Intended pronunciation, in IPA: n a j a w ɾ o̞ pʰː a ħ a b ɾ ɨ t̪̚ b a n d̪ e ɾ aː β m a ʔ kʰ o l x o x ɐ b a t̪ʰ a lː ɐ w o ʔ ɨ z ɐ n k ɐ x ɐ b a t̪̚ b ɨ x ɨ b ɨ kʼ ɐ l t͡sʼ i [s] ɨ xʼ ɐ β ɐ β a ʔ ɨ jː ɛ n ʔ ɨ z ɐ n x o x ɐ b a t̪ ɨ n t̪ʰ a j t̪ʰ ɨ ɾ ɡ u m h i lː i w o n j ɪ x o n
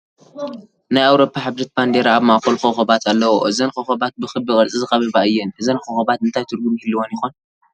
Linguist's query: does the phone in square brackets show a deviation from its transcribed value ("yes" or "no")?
yes